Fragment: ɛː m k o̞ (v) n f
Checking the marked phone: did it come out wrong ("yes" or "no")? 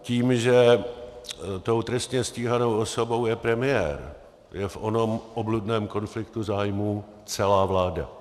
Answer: yes